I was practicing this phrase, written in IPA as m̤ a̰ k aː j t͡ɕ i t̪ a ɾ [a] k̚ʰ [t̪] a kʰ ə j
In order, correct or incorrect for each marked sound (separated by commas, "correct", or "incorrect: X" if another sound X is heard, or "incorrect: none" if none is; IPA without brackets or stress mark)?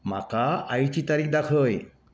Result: incorrect: i, incorrect: d̪